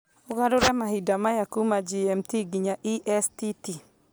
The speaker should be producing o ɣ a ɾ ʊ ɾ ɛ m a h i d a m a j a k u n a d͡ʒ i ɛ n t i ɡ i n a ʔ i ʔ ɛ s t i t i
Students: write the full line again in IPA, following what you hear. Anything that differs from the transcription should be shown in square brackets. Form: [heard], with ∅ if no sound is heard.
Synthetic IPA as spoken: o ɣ a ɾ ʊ ɾ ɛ m a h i d a m a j a k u [m] a d͡ʒ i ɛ [m] t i ɡ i [ɲ] a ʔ i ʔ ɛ s t i t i